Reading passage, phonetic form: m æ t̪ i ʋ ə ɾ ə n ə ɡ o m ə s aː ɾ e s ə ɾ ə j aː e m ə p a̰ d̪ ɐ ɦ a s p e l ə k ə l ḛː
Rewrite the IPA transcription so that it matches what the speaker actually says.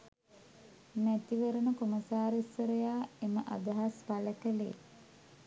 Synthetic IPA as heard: m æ t̪ i ʋ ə ɾ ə n ə k o m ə s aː ɾ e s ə ɾ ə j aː e m ə ʔ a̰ d̪ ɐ ɦ a s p a l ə k ə l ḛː